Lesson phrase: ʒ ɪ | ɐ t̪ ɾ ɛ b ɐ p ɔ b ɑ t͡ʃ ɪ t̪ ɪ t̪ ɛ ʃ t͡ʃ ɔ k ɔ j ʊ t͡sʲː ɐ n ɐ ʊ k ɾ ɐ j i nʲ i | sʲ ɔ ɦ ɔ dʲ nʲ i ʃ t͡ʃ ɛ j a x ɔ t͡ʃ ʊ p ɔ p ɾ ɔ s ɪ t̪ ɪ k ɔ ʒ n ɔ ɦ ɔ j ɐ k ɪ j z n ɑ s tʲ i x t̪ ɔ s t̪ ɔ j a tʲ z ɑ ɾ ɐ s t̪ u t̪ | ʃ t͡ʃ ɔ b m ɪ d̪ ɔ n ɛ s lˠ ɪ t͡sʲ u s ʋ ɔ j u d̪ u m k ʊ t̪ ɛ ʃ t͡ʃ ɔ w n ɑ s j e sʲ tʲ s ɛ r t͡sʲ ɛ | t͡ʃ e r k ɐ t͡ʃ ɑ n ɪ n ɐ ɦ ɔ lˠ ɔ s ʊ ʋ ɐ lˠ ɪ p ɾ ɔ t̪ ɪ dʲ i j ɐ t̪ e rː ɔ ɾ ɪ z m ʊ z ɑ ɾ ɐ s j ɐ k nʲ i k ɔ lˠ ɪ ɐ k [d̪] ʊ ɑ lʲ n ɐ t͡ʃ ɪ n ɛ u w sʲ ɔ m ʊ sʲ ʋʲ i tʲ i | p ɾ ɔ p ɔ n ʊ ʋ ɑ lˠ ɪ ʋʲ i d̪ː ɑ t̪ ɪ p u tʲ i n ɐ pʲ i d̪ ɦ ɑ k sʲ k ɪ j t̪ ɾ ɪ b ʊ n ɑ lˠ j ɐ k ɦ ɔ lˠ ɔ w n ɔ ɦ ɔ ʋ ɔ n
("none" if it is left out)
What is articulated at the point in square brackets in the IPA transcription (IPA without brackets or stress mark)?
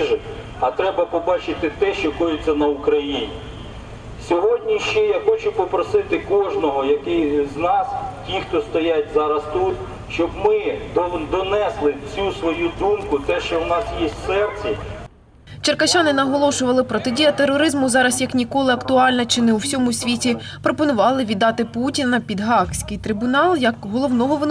t̪